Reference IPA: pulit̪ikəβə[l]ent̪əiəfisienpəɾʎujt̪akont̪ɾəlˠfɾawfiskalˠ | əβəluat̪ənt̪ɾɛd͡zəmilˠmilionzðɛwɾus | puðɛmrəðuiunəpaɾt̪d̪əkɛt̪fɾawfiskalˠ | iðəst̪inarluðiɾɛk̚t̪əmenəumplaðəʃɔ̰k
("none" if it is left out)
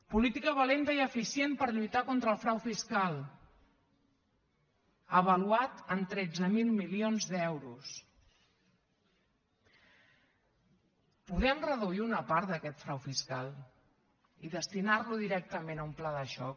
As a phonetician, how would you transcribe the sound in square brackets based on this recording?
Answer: l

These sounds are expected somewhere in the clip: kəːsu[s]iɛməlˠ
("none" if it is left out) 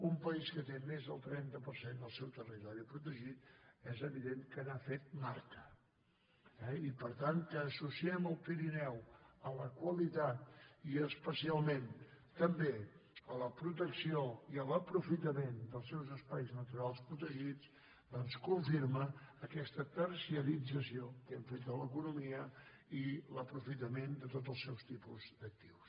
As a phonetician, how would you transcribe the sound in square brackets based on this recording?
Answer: s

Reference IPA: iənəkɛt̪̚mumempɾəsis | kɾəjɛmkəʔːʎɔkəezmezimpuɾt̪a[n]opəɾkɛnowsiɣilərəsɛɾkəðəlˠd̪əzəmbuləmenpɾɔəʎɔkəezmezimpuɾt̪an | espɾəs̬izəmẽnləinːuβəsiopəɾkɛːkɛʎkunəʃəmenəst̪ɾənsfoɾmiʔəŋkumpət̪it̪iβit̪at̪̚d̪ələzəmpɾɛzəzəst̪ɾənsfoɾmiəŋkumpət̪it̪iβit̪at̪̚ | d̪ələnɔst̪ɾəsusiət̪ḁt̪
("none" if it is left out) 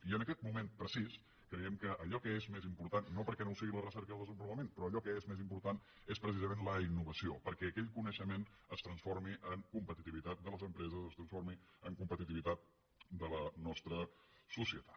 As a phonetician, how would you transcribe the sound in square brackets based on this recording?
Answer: nː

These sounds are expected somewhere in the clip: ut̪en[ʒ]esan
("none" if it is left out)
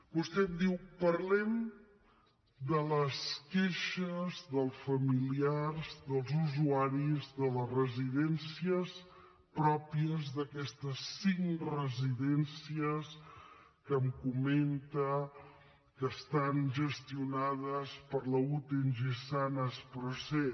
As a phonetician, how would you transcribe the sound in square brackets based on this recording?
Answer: ʒ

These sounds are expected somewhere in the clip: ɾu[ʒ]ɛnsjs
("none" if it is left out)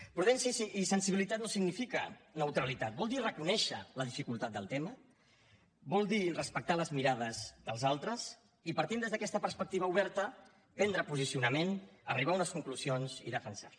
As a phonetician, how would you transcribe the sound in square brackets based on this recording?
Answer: ð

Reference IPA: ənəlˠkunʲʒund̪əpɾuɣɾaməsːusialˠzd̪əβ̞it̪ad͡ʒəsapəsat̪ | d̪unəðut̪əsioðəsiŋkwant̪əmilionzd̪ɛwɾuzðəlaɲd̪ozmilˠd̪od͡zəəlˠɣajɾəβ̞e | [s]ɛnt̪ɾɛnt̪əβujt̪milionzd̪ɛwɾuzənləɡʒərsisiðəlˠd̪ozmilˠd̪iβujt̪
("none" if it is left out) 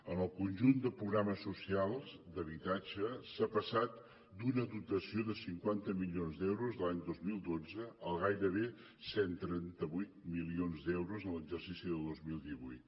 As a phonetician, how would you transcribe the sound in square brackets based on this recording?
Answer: s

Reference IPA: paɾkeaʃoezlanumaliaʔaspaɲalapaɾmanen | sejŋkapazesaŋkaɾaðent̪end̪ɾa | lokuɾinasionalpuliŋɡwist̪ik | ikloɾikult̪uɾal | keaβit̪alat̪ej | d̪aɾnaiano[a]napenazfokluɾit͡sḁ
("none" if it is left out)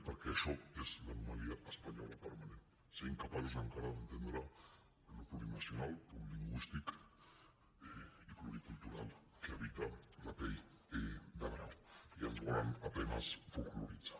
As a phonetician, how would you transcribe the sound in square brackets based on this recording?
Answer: a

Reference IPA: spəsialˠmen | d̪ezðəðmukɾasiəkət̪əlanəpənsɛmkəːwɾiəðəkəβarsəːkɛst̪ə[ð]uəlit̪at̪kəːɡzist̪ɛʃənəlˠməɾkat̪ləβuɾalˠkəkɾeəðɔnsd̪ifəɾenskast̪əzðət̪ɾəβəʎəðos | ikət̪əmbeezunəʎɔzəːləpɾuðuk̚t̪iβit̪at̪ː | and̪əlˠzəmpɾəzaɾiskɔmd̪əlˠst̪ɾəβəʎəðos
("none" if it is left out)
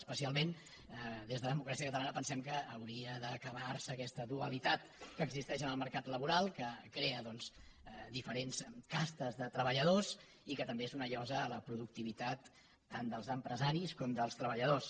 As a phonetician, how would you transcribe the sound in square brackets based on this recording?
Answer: ð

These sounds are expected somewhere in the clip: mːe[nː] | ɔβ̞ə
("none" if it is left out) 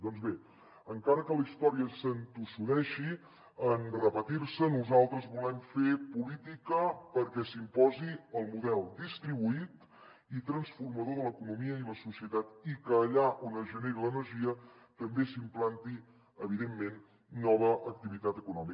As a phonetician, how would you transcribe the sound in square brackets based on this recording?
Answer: nː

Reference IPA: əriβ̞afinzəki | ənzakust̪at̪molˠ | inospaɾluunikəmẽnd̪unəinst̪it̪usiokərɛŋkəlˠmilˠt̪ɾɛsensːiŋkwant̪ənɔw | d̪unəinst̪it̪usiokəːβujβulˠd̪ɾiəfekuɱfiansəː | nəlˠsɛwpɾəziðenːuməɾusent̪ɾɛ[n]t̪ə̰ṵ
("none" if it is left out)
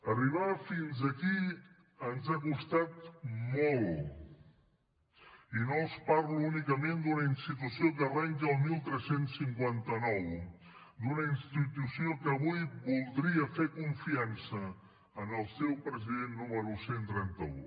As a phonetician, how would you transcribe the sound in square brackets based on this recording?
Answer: n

